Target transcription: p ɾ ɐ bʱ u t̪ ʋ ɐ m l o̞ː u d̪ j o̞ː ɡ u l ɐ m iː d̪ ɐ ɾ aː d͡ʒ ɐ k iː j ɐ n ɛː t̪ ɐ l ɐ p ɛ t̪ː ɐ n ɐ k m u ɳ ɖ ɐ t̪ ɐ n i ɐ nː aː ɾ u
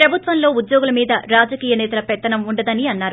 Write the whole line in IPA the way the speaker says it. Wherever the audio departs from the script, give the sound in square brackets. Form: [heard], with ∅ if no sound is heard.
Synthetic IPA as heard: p ɾ ɐ bʱ u t̪ ʋ ɐ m l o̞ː u d̪ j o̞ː ɡ u l ɐ m iː d̪ ɐ ɾ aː d͡ʒ ɐ k iː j ɐ n ɛː t̪ ɐ l ɐ p ɛ t̪ː ɐ n ɐ [∅] m u ɳ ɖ ɐ [d̪] ɐ n i ɐ nː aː ɾ u